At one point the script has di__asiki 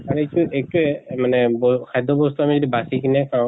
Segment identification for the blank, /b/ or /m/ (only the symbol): b